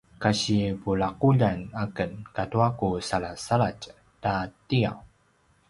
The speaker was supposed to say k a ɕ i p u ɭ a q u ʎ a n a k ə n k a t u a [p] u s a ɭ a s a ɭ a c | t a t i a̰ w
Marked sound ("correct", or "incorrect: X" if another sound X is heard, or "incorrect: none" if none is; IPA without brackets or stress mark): incorrect: k